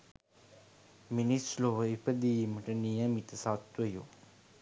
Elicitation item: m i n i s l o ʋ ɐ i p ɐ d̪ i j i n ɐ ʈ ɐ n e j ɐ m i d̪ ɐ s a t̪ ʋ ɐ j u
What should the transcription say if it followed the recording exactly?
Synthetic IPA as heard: m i n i s l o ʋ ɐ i p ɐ d̪ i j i m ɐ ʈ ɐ n i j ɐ m i t̪ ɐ s a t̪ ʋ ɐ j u